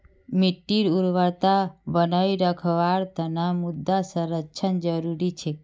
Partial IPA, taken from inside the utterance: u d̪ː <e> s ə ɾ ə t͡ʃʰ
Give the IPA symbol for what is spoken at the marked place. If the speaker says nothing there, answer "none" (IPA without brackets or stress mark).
a